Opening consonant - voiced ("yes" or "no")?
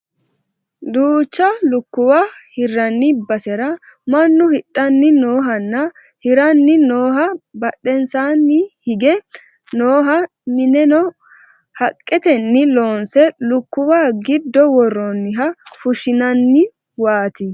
yes